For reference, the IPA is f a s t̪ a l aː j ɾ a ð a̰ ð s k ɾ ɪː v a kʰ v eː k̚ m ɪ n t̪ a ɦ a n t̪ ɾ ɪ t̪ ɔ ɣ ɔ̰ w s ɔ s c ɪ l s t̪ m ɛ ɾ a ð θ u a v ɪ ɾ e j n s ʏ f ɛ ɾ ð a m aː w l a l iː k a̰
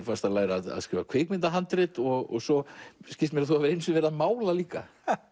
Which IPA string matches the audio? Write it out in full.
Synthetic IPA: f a s t̪ a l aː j ɾ a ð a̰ ð s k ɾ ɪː v a kʰ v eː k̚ m ɪ n t̪ a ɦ a n t̪ ɾ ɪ t̪ ɔ ɣ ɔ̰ ɣ s ɔ s c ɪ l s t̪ m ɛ ɾ a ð θ u a v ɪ ɾ e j n s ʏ v ɛ ɾ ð a m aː w l a l iː k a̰

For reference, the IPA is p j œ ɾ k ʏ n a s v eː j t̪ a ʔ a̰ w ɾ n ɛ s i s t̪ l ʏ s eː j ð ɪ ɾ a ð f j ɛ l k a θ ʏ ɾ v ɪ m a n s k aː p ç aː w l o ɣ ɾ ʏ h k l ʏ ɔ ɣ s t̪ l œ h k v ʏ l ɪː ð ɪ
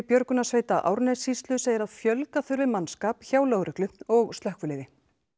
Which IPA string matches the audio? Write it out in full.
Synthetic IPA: p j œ ɾ k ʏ n a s v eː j t̪ a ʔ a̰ w ɾ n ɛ s i s t̪ l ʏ s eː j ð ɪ ɾ a ð f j œ l k a θ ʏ ɾ v ɪ m a n s k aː p ç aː w l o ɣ ɾ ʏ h k l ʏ ɔ ɣ s t̪ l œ h k v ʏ l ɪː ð ɪ

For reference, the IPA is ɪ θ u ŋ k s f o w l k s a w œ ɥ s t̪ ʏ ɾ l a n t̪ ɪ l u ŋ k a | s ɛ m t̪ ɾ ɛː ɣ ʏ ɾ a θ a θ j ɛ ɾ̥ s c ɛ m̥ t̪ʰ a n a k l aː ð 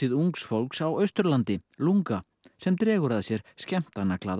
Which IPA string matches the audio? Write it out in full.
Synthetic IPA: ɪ ð u ŋ k s f o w l k s a w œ ɥ s t̪ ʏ ɾ l a n t̪ ɪ l u ŋ k a | s ɛ m t̪ ɾ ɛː ɣ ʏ ɾ a ð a s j ɛ ɾ̥ s c ɛ m̥ t̪ a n a k l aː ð

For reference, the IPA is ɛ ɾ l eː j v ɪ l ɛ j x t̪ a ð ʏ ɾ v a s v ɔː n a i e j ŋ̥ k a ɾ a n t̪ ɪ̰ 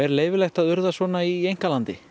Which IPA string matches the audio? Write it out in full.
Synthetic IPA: ɛ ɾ l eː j v ɪ l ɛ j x t̪ a ð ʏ ɾ ð a s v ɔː n a i e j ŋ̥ k a l a n t̪ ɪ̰

